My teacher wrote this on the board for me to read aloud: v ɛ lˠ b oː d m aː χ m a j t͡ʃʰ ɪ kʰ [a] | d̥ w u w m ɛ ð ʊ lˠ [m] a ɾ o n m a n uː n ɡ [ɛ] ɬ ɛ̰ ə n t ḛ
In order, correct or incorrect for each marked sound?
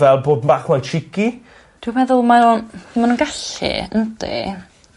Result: incorrect, correct, incorrect

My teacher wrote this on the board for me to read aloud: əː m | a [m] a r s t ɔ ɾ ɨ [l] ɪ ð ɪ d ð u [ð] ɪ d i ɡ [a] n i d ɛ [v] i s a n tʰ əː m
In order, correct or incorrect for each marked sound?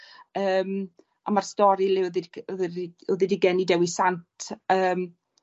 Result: correct, correct, correct, incorrect, incorrect

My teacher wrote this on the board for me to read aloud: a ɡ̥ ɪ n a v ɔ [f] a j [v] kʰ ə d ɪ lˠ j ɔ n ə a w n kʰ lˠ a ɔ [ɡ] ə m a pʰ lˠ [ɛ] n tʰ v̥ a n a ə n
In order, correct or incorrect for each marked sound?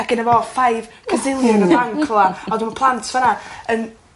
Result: correct, correct, incorrect, incorrect

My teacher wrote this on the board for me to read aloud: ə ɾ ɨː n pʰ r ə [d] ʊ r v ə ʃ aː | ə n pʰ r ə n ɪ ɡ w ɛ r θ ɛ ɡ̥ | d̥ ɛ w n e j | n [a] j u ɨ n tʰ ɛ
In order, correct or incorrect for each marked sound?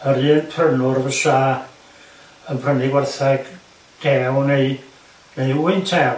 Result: incorrect, incorrect

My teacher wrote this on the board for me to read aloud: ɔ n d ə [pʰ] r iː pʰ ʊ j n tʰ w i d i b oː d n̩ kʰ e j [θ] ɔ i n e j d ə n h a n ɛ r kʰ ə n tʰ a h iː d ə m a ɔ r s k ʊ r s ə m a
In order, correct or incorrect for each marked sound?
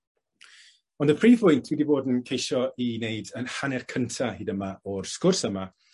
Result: correct, incorrect

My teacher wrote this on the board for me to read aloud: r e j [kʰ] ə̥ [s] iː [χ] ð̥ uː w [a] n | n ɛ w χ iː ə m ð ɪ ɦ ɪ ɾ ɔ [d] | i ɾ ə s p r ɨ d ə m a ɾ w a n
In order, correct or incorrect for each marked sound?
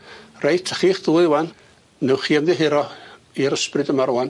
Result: incorrect, incorrect, correct, correct, incorrect

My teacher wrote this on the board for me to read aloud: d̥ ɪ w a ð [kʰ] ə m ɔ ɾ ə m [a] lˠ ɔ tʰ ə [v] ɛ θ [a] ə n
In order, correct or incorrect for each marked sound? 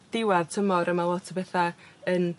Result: incorrect, correct, incorrect, correct

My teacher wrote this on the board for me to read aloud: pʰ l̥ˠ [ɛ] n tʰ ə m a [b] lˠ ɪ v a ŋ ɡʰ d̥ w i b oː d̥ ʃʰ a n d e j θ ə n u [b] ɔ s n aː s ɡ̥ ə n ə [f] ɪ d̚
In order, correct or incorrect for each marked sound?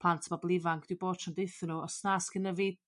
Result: incorrect, correct, incorrect, incorrect

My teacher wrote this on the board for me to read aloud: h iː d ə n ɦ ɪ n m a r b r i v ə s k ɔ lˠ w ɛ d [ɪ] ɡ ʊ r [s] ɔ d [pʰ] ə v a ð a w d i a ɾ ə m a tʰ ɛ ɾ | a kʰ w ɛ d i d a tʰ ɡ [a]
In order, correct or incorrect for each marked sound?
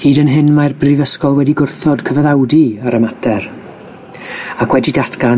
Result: incorrect, incorrect, incorrect, correct

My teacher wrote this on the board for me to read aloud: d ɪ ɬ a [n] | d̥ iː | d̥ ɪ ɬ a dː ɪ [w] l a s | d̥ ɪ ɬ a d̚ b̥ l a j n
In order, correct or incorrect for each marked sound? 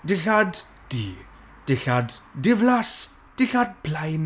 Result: incorrect, incorrect

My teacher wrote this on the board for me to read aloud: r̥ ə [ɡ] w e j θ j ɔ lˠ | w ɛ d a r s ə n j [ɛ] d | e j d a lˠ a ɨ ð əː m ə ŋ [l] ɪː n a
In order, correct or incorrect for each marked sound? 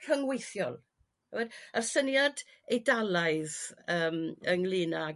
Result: incorrect, incorrect, correct

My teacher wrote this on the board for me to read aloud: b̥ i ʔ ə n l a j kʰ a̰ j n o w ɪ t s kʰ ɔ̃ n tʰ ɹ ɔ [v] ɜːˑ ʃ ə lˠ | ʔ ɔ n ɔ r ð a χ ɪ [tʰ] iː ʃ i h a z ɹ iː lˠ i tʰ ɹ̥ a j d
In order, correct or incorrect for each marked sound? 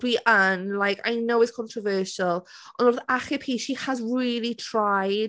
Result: correct, incorrect

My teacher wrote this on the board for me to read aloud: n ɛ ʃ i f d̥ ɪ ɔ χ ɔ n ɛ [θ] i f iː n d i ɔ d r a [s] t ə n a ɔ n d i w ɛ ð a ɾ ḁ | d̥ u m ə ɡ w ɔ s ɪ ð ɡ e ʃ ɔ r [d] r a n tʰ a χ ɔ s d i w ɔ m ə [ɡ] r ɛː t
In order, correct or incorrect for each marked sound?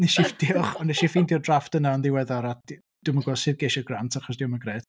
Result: incorrect, incorrect, incorrect, correct

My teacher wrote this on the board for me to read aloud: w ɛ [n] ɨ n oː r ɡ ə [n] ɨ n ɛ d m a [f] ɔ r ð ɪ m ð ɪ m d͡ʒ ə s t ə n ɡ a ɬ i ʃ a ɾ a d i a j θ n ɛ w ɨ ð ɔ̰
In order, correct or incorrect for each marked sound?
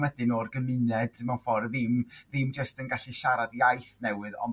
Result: incorrect, incorrect, correct

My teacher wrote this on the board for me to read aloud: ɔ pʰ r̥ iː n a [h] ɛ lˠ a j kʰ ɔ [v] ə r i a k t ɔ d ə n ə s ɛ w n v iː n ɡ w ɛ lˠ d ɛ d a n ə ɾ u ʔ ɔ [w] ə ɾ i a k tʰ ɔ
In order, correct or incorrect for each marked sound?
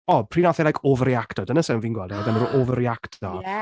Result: incorrect, correct, incorrect

